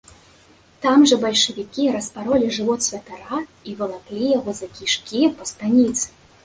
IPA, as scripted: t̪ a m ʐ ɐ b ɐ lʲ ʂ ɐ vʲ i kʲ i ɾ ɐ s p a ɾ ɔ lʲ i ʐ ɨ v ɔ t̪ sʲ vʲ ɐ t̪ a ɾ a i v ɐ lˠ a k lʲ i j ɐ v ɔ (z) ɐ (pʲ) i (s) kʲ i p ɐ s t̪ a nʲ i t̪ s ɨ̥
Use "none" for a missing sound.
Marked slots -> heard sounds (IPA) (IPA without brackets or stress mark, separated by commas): z, kʲ, ʂ